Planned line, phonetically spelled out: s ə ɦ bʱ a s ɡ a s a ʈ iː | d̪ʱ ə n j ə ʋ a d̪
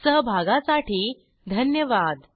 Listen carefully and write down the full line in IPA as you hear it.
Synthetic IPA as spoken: s ə ɦ bʱ a ɡ a s a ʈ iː | d̪ʱ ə n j ə ʋ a d̪